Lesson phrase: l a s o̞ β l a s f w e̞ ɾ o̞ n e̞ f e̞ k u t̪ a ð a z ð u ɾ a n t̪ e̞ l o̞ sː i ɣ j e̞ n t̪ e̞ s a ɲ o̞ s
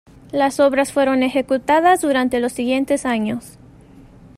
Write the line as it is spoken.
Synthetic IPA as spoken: l a s o̞ β ɾ a s f w e̞ ɾ o̞ n e̞ x e̞ k u t̪ a ð a z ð u ɾ a n t̪ e̞ l o̞ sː i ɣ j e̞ n t̪ e̞ s a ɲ o̞ s